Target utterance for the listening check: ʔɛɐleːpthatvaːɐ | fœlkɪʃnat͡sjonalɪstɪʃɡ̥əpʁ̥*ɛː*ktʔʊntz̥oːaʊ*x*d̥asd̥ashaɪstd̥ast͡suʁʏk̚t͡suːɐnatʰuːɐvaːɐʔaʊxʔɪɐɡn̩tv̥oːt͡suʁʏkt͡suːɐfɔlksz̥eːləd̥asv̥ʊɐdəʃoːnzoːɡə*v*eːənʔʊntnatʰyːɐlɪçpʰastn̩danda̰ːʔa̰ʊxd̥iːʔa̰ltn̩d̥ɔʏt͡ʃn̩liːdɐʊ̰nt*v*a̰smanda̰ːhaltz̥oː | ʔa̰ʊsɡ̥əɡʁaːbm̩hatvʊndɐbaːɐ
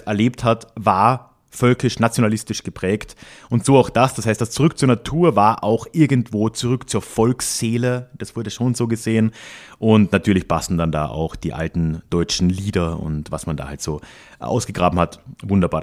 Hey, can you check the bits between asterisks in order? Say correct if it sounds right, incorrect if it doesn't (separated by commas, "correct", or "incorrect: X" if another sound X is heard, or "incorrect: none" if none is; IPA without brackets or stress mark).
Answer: correct, correct, incorrect: z, correct